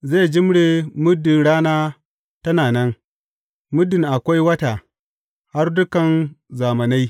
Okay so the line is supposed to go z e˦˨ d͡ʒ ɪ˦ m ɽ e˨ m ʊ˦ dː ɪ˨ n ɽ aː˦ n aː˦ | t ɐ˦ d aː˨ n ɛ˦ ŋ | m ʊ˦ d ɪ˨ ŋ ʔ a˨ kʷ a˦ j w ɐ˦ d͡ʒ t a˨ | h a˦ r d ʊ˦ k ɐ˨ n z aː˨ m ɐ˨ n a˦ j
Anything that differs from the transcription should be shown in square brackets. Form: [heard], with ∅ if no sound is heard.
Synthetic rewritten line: z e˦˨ d͡ʒ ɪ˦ m ɽ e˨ m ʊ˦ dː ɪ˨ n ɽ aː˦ n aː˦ | t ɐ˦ [n] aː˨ n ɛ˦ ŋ | m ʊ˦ d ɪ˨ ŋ ʔ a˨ kʷ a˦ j w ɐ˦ [∅] t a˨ | h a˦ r d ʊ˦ k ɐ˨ n z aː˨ m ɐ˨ n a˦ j